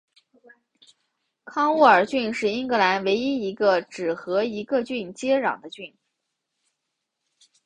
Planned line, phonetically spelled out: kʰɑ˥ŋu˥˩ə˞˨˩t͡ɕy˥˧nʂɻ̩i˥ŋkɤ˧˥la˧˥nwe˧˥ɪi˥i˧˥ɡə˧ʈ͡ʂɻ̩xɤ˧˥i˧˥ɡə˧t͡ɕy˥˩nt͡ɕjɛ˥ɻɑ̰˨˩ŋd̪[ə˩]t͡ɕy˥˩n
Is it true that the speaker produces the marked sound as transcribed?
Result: no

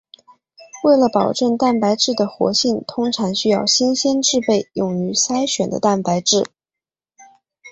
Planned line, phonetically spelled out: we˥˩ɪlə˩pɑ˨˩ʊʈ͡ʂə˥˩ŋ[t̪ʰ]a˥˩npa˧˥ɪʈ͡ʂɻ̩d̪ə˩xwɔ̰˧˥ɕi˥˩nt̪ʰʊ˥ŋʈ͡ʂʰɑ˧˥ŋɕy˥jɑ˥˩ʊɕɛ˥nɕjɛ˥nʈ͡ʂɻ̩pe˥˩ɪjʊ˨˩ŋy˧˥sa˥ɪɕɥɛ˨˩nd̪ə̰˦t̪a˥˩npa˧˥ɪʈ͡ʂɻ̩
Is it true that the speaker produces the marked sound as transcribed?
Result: no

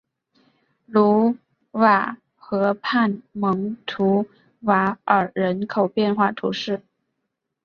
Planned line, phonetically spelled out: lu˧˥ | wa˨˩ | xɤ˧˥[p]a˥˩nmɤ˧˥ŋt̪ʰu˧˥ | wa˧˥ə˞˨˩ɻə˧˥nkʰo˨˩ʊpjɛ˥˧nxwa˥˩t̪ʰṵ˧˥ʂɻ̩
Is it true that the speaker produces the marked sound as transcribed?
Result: no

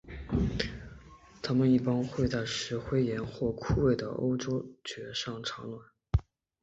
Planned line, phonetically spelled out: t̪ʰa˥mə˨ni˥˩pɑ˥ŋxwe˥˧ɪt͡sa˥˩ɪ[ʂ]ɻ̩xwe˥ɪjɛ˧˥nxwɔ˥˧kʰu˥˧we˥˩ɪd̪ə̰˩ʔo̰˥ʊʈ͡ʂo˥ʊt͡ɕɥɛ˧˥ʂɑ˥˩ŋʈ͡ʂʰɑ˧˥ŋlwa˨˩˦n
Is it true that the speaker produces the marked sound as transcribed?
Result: yes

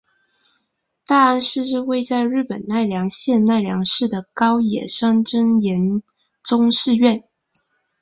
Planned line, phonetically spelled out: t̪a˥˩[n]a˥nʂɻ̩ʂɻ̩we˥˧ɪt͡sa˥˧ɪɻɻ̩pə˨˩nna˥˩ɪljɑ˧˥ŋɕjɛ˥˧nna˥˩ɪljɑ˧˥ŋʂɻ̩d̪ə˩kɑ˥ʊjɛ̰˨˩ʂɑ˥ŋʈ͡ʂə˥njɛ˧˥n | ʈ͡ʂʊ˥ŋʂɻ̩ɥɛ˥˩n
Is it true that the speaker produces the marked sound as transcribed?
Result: no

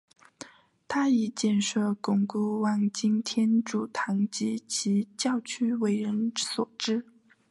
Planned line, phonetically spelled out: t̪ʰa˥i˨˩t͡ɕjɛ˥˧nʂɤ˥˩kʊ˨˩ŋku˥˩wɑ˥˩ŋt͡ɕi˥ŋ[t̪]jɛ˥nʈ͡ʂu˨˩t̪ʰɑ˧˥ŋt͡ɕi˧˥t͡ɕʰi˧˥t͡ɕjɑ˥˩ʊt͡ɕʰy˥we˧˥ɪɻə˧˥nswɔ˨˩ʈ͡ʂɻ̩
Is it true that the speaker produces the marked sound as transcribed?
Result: no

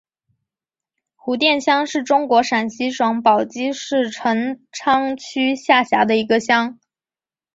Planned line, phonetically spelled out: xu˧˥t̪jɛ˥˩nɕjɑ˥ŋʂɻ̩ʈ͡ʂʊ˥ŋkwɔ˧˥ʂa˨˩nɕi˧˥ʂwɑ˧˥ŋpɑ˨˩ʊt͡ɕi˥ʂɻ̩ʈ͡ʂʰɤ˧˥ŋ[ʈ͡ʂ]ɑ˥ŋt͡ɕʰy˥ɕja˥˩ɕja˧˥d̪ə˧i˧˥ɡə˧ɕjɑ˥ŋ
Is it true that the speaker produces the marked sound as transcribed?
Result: no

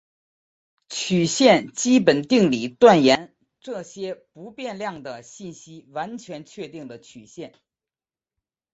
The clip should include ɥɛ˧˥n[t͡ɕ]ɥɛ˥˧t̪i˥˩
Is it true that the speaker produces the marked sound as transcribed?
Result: no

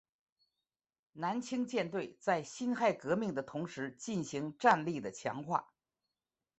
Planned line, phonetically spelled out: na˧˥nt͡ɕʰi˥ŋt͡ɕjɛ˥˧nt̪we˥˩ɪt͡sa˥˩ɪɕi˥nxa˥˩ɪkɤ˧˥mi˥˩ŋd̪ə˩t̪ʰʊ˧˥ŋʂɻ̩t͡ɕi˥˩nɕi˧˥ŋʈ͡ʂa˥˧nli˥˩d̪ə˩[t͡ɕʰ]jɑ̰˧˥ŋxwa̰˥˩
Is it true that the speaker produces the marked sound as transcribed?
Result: yes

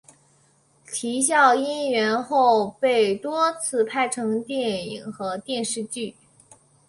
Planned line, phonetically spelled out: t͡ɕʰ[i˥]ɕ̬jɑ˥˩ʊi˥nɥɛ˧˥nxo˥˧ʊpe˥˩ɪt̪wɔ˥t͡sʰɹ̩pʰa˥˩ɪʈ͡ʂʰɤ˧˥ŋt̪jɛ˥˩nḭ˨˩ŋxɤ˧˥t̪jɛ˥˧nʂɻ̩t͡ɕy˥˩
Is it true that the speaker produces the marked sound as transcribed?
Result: no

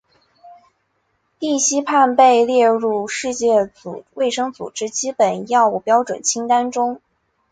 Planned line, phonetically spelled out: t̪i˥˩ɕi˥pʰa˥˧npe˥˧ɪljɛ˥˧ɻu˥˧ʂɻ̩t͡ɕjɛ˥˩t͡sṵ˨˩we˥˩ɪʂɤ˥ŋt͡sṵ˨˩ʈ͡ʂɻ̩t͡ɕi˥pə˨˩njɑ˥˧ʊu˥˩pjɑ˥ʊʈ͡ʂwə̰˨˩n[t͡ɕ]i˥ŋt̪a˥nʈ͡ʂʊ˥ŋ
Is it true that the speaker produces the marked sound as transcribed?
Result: no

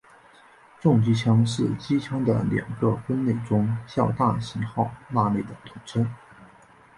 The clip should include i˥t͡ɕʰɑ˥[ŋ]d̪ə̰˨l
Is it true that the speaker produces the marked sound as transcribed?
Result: yes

